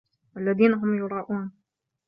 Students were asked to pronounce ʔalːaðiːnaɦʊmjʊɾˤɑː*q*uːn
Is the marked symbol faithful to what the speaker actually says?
no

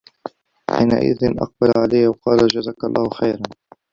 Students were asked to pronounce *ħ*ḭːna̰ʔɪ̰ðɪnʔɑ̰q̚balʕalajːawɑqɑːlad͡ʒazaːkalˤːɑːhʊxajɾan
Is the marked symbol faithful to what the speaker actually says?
yes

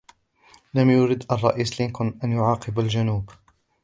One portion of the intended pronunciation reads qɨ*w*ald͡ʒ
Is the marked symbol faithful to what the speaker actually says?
no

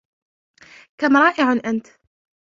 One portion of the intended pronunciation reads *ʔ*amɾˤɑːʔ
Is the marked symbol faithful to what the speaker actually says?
no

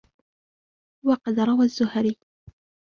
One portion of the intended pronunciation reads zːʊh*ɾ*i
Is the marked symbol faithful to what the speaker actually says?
yes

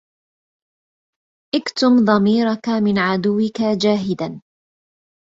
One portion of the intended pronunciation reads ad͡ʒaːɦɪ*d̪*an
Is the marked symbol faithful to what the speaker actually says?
yes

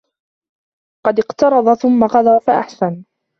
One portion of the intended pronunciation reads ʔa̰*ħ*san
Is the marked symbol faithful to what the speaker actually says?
yes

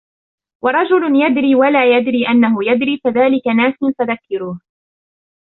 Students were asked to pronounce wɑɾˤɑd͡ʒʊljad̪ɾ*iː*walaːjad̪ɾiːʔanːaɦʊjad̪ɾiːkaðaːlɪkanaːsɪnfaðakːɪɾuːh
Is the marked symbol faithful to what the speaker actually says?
yes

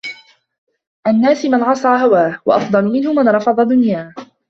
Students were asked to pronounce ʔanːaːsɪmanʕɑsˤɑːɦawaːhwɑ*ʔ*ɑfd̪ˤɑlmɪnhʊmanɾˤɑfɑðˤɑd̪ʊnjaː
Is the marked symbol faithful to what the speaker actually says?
yes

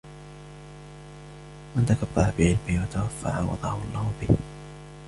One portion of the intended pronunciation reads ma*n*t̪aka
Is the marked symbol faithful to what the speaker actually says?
yes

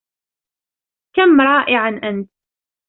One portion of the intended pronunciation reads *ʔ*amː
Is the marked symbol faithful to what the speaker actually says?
no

